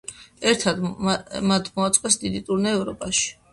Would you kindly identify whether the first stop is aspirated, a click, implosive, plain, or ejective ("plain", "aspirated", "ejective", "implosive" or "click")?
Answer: aspirated